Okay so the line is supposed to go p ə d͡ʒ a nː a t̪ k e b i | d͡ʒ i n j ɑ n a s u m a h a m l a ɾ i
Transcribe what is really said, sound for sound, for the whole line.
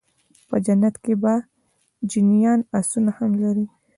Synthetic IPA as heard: p ə d͡ʒ a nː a t̪ k e b a | d͡ʒ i n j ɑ n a s u n a h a m l a ɾ i